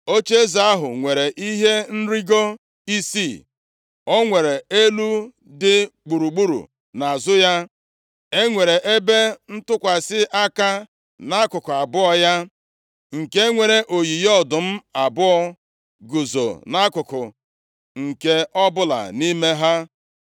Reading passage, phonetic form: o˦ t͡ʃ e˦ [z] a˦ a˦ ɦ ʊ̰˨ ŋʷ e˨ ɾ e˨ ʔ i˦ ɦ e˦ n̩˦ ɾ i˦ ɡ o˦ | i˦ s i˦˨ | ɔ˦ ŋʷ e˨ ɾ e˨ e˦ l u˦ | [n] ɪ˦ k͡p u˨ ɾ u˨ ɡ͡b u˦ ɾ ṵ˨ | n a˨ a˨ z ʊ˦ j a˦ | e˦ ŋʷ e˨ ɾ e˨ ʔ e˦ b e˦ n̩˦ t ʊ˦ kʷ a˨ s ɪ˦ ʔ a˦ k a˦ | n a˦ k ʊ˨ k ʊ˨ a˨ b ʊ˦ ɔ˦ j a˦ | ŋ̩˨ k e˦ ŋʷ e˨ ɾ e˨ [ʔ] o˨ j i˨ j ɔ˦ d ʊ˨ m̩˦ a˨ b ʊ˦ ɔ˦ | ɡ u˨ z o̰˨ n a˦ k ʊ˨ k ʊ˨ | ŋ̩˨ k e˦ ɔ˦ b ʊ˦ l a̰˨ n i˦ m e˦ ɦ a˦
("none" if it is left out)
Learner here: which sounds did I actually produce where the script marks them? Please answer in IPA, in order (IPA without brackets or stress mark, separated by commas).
z, d, ʔ